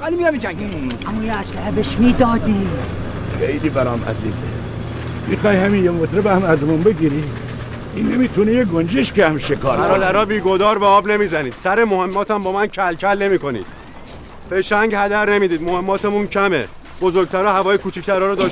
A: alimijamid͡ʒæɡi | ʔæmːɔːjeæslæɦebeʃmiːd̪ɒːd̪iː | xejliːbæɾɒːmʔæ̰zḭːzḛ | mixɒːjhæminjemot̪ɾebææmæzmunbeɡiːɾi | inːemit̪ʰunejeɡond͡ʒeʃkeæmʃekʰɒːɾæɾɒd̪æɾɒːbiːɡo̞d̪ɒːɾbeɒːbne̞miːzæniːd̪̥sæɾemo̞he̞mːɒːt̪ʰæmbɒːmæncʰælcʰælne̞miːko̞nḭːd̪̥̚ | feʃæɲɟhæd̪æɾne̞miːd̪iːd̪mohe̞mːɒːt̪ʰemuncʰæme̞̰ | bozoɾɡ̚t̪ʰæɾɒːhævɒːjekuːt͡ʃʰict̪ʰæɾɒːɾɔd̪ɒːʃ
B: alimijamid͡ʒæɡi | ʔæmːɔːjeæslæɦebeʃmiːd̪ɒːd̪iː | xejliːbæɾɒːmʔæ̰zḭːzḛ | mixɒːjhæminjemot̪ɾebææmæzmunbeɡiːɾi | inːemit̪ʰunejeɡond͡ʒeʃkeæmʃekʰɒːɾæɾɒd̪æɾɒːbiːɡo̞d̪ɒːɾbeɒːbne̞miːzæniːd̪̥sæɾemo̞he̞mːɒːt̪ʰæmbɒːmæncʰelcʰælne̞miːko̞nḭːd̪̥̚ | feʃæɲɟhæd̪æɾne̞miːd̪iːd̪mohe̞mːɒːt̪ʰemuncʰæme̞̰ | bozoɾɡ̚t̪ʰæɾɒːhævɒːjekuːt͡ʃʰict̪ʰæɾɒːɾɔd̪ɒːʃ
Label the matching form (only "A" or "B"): A